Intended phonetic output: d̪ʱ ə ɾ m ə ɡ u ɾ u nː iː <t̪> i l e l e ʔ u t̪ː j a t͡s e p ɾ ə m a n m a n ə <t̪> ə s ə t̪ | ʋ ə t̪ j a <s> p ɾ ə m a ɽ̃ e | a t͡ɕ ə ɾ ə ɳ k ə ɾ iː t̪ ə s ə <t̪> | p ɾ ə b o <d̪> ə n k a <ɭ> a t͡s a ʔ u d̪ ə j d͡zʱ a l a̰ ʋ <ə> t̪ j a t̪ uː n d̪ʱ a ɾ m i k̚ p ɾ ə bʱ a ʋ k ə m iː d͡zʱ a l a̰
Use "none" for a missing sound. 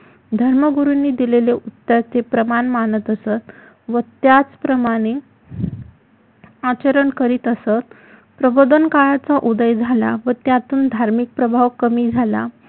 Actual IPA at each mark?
d̪, t̪, t͡s, t̪, d̪, ɭ, ə

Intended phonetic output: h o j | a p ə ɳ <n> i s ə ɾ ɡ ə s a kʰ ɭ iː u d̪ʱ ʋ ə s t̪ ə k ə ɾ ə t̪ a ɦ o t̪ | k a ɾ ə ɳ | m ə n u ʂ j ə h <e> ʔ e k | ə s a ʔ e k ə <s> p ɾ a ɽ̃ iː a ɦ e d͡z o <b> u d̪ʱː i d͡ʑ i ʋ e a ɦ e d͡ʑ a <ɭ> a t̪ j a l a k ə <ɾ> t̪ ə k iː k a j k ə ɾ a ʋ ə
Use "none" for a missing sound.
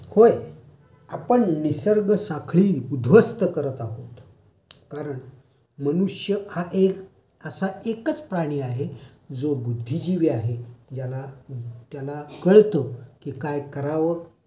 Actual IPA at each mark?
n, a, t͡s, b, l, ɭ

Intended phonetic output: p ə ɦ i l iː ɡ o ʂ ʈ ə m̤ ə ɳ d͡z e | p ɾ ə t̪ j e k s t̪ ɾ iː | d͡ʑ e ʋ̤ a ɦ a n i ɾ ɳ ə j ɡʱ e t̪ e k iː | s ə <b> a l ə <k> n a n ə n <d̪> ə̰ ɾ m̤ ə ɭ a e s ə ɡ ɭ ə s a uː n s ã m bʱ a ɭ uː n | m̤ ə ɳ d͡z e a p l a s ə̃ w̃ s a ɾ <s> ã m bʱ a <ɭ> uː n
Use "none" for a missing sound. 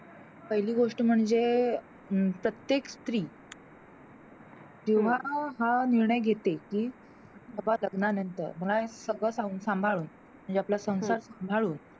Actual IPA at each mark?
b, ɡ, t̪, s, ɭ

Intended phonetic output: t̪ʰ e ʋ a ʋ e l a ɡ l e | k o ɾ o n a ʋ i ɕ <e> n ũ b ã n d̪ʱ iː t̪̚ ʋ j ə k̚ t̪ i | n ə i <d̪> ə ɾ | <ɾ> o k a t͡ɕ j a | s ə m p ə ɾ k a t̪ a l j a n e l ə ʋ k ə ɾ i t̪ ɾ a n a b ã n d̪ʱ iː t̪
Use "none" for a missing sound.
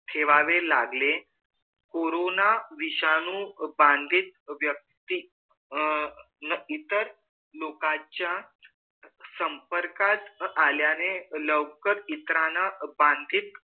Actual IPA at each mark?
a, t̪, l

